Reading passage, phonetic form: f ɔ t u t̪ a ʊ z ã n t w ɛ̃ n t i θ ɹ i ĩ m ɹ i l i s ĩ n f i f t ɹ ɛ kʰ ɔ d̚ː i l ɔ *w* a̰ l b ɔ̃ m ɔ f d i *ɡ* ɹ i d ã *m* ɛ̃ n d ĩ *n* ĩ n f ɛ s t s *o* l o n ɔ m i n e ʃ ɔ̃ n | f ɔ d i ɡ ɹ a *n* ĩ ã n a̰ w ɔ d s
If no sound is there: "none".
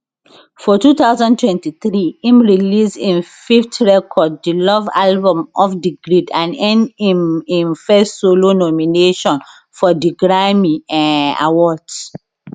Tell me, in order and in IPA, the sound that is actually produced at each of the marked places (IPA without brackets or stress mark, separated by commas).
v, ɡ, n, m, o, m